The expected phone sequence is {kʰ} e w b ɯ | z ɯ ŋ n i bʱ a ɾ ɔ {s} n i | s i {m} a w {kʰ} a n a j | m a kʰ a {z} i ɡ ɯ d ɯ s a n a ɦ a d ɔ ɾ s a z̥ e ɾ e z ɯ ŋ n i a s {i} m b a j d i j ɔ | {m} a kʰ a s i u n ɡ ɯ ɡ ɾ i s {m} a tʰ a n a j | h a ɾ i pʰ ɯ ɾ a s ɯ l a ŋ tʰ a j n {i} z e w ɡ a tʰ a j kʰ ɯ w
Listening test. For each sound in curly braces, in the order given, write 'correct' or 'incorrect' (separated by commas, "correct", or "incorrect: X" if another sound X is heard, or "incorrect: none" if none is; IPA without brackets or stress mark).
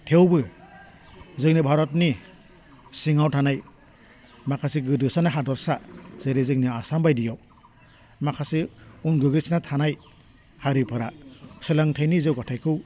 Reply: incorrect: tʰ, incorrect: t, incorrect: ŋ, incorrect: tʰ, incorrect: s, incorrect: a, correct, incorrect: n, correct